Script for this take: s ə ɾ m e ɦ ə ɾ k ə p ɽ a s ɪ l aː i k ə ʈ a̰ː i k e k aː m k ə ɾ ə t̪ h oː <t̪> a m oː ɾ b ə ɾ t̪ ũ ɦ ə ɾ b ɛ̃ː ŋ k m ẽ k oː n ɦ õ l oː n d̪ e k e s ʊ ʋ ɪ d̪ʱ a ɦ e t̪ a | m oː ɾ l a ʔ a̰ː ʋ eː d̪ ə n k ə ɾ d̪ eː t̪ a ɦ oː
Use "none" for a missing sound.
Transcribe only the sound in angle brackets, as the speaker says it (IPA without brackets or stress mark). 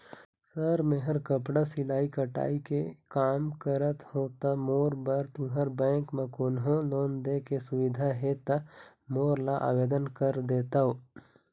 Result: t̪